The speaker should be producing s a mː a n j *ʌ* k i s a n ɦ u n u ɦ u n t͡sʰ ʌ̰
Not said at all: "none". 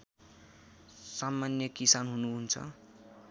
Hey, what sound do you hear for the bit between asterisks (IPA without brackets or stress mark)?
ʌ